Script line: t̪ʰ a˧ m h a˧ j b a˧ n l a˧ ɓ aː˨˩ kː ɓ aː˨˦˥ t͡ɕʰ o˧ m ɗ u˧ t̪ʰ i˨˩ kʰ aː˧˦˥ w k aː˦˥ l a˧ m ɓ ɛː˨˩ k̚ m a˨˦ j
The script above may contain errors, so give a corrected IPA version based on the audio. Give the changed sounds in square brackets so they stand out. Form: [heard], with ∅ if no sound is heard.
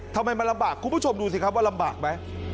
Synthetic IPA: t̪ʰ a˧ m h a˧ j [m] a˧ n l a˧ ɓ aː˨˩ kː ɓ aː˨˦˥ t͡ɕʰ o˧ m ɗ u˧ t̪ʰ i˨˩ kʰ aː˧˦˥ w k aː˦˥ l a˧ m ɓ [aː˨˩] k̚ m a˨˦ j